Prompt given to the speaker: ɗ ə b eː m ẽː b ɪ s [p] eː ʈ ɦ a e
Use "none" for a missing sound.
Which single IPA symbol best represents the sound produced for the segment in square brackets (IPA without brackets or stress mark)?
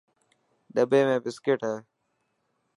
k